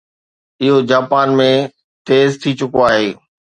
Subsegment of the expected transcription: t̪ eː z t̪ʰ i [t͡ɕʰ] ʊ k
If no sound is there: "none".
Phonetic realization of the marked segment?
t͡ɕ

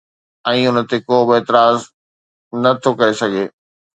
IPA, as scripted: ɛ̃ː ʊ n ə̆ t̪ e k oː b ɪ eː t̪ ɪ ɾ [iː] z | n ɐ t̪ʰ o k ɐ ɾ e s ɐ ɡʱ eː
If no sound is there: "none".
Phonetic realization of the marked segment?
aː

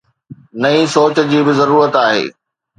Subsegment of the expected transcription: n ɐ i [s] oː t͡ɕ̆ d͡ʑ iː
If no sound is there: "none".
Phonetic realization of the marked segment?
s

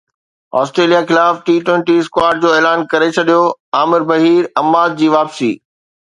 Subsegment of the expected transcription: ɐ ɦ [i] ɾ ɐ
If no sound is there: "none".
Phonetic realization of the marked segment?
iː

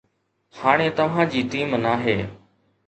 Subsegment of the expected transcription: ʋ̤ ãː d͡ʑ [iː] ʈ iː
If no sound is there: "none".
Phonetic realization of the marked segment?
iː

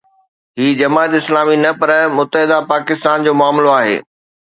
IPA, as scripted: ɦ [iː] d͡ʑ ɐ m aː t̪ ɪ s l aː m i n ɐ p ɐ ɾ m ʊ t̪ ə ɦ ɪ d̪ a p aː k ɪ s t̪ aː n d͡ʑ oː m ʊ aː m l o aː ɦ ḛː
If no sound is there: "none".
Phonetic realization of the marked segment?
iː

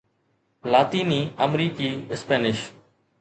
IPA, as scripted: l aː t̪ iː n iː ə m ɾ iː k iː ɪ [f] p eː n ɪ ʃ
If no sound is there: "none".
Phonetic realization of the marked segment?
s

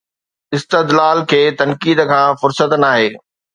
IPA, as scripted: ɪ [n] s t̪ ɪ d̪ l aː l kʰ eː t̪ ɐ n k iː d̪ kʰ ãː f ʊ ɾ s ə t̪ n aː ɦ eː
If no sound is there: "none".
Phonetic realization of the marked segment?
none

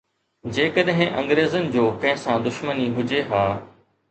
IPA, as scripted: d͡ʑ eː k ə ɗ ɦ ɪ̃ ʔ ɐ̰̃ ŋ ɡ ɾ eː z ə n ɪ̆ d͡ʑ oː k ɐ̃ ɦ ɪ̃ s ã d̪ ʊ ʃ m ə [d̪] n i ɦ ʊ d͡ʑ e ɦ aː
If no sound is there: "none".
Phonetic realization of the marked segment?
none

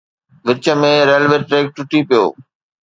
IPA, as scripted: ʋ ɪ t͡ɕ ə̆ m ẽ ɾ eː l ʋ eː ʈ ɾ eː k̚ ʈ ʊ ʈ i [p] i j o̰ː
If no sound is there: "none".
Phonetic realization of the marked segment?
p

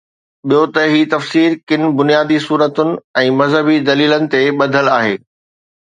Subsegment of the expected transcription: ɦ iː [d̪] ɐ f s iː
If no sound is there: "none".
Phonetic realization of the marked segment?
t̪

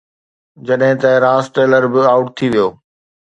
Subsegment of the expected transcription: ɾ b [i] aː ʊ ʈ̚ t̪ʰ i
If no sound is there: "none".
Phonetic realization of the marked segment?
ɪ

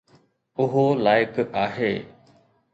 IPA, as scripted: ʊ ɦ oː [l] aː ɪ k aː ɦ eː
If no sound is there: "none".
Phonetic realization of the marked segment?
l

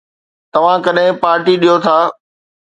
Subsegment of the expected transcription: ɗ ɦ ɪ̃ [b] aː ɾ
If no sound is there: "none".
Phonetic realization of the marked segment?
p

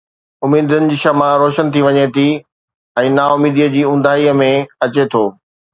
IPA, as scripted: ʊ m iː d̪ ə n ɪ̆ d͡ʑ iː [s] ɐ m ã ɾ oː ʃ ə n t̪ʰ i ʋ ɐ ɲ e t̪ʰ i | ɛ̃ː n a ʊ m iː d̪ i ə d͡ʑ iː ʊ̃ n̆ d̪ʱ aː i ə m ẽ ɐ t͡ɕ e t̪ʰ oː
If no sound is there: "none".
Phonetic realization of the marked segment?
ʃ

